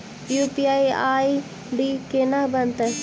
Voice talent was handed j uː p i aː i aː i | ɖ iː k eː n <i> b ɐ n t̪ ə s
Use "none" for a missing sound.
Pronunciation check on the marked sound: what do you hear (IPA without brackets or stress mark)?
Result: a